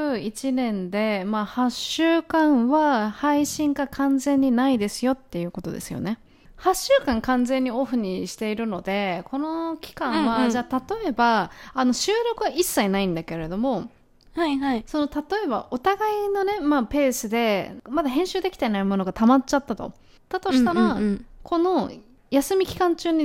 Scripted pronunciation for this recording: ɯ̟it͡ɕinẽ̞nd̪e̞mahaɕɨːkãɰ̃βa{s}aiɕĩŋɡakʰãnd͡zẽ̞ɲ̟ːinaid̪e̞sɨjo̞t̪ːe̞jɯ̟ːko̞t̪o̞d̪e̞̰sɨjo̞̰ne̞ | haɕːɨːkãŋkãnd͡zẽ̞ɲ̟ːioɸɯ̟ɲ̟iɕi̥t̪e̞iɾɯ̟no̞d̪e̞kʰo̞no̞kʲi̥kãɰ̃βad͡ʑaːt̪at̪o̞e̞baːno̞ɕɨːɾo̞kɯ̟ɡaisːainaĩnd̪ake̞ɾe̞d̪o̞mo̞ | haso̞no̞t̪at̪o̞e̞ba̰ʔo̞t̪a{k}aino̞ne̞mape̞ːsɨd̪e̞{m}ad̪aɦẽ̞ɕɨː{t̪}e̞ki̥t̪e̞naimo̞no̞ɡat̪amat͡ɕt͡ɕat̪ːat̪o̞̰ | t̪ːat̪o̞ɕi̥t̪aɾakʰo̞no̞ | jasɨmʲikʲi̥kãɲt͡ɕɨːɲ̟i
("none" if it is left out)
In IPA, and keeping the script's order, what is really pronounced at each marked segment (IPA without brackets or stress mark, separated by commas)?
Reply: h, ɡ, m, d̪